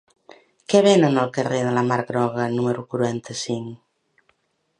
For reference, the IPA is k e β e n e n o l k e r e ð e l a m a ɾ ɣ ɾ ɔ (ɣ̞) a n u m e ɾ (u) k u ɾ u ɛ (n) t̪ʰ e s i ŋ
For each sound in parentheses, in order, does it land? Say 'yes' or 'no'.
yes, yes, yes

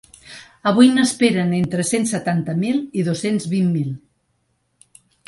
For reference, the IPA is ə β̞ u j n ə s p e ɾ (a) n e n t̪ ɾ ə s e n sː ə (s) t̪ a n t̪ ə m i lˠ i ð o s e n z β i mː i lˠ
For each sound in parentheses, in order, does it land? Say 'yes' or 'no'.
no, no

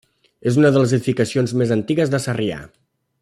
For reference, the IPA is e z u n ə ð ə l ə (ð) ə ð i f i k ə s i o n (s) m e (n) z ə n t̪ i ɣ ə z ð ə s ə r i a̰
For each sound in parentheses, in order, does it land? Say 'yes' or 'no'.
no, no, no

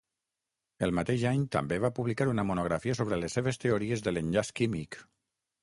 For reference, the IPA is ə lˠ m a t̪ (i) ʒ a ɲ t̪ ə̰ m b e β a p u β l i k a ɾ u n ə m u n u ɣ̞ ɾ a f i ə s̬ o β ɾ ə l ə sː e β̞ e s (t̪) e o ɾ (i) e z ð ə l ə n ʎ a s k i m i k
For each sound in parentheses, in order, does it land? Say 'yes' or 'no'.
no, yes, yes

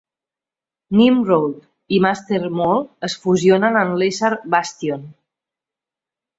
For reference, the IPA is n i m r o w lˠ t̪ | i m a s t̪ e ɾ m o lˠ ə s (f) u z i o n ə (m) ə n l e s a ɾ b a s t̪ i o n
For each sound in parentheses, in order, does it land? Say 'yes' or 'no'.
yes, no

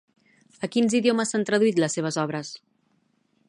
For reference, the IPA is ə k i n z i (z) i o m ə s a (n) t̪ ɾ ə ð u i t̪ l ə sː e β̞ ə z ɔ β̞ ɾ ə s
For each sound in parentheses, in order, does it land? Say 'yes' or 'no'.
no, yes

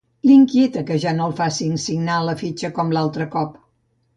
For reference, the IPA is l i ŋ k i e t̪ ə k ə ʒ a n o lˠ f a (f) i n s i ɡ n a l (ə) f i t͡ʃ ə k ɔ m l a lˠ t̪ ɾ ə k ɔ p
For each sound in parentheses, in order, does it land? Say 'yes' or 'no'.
no, yes

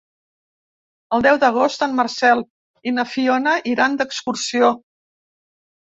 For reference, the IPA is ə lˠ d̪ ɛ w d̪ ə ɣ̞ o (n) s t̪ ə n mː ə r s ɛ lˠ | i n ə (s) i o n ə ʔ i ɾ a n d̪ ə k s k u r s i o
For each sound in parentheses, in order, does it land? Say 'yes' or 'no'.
no, no

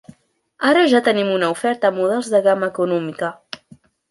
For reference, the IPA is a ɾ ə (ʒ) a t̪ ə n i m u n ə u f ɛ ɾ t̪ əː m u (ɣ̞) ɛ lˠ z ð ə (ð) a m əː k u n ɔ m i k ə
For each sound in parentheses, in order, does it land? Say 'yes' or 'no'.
yes, no, no

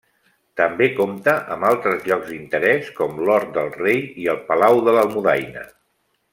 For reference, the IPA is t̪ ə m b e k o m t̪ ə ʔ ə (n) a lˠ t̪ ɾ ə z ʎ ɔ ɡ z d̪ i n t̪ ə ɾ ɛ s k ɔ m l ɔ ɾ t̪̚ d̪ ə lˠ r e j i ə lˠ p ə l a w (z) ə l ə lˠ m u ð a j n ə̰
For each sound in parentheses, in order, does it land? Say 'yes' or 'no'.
no, no

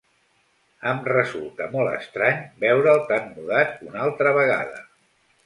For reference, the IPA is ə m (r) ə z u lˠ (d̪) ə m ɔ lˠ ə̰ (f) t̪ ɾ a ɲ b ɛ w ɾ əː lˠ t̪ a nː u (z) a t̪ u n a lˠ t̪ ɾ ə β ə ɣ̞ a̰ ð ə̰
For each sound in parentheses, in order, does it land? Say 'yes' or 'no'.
yes, no, no, no

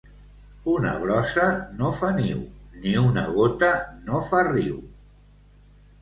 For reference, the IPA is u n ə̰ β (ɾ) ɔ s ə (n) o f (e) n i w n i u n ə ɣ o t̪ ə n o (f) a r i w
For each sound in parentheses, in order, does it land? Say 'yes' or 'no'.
yes, yes, no, yes

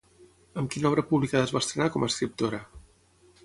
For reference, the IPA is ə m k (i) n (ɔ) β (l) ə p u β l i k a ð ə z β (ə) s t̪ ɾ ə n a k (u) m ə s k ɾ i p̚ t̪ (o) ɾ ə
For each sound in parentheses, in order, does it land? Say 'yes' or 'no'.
yes, yes, no, no, no, yes

